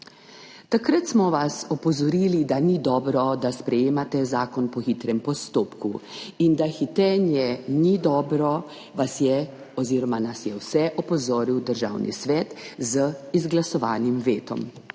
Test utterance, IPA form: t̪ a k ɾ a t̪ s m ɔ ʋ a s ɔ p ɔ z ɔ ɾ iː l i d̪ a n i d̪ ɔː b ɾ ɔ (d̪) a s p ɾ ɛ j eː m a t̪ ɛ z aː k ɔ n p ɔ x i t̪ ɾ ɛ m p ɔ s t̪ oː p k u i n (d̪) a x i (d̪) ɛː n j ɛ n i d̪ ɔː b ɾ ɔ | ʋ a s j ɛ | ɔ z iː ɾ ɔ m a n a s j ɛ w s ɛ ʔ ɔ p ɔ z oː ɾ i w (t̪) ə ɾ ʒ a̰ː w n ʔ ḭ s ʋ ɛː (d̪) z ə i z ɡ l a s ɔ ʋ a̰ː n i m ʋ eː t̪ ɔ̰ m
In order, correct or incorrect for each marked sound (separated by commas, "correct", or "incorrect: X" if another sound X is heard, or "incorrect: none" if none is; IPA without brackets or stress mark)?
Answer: correct, correct, incorrect: t̪, incorrect: d̪, incorrect: t̪